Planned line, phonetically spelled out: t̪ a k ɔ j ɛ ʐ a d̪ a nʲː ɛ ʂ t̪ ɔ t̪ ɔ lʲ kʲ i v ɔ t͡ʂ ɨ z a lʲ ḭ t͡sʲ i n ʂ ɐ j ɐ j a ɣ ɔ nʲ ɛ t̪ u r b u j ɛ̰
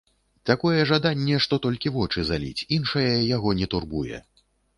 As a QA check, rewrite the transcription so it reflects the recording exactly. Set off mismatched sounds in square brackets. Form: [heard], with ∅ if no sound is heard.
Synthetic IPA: t̪ a k ɔ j ɛ ʐ a d̪ a nʲː ɛ ʂ t̪ ɔ t̪ ɔ lʲ kʲ i v ɔ t͡ʂ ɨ z a lʲ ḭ t͡sʲ i n ʂ ɐ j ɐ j a ɣ ɔ nʲ ɛ t̪ u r b u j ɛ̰